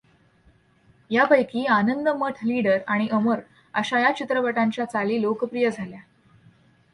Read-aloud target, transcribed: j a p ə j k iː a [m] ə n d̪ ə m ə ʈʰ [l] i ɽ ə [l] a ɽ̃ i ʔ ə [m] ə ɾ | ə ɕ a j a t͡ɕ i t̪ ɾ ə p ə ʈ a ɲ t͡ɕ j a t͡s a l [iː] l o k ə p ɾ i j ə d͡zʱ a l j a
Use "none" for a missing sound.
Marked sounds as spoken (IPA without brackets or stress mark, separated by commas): n, l, ɾ, m, iː